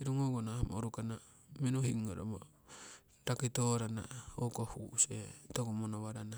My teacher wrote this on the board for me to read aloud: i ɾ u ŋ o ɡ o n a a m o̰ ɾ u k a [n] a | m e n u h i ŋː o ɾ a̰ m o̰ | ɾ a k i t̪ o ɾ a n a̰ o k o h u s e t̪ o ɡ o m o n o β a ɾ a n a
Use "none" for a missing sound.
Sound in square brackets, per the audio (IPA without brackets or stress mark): n